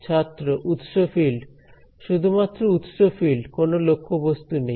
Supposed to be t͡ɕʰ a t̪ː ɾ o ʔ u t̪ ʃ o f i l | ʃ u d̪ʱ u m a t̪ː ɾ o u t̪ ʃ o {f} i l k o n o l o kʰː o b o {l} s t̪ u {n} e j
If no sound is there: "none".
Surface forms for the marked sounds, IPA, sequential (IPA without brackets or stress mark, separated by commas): f, none, n